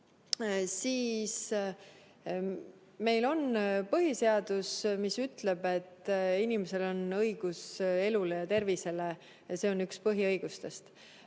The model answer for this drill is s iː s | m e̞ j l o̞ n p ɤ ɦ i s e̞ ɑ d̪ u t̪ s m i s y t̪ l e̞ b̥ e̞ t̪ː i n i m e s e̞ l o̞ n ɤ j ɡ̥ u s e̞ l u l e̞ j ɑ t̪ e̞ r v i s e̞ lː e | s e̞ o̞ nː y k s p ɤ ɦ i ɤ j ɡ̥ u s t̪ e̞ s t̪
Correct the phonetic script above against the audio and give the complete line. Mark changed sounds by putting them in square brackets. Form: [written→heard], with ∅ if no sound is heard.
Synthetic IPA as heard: s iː s | m e̞ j l o̞ n p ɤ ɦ i s e̞ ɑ d̪ u [t̪→∅] s m i s y t̪ l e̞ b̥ e̞ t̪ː i n i m e s e̞ l o̞ n ɤ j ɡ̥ u s e̞ l u l e̞ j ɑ t̪ e̞ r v i s e̞ [lː→l] e | s e̞ o̞ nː y k s p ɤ ɦ i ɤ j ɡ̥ u s t̪ e̞ s t̪